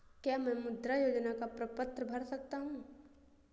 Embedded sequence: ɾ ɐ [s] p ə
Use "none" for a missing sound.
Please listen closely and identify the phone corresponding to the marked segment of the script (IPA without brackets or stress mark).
none